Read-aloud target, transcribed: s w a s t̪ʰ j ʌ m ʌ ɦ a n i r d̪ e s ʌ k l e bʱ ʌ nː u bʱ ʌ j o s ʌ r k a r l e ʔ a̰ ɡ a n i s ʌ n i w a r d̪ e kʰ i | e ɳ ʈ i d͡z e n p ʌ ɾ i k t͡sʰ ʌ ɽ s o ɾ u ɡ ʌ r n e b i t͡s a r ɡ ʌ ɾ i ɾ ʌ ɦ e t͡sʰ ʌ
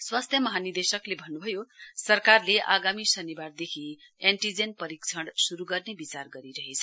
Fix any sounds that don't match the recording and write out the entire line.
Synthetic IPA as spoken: s w a s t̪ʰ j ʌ m ʌ ɦ a n i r d̪ e s ʌ k l e bʱ ʌ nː u bʱ ʌ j o s ʌ r k a r l e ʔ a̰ ɡ a m i s ʌ n i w a r d̪ e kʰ i | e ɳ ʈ i d͡z e n p ʌ ɾ i k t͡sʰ ʌ ɽ s u ɾ u ɡ ʌ r n e b i t͡s a r ɡ ʌ ɾ i ɾ ʌ ɦ e t͡sʰ ʌ